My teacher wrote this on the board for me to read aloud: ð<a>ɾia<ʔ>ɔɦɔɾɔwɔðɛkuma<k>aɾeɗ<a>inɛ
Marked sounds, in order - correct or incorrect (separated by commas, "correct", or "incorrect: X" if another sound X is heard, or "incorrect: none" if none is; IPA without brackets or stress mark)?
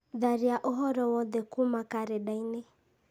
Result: correct, correct, correct, correct